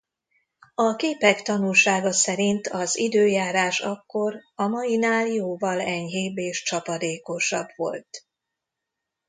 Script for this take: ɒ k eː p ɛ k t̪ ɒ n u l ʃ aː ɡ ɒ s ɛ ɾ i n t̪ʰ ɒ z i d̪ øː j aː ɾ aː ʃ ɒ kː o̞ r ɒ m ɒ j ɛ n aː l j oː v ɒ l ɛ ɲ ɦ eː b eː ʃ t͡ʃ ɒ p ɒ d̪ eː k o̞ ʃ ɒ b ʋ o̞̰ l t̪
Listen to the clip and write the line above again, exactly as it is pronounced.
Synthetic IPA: ɒ k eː p ɛ k t̪ ɒ n u l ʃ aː ɡ ɒ s ɛ ɾ i n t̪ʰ ɒ z i d̪ øː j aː ɾ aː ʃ ɒ kː o̞ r ɒ m ɒ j i n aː l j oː v ɒ l ɛ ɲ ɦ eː b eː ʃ t͡ʃ ɒ p ɒ d̪ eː k o̞ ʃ ɒ b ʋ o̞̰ l t̪